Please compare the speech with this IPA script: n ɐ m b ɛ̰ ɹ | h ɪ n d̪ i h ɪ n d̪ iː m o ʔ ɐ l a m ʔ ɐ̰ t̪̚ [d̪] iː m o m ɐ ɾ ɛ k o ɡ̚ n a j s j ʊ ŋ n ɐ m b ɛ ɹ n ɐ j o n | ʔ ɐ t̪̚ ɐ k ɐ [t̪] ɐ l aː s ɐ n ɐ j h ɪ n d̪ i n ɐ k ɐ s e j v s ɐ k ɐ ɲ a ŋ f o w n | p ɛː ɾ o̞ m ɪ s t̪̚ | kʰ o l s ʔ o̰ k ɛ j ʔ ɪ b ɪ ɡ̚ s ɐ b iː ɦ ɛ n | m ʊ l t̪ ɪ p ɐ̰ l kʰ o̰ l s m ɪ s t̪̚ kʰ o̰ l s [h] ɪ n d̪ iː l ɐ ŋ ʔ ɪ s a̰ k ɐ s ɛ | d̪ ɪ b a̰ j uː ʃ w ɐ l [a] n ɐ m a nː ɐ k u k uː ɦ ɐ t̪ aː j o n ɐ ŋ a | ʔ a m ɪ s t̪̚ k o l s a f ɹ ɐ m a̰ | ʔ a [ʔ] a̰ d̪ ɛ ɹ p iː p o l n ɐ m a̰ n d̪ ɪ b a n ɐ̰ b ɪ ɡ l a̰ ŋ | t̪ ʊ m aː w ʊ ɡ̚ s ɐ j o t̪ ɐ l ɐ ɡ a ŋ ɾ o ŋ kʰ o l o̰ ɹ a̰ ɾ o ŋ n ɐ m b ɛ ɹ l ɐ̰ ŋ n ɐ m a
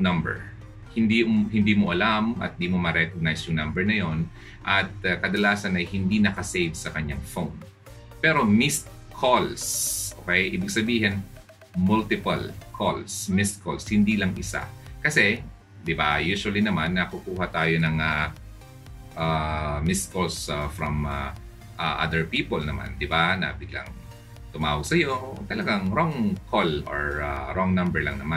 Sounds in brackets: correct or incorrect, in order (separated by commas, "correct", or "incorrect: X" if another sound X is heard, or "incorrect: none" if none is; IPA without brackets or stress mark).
correct, incorrect: d̪, correct, incorrect: i, correct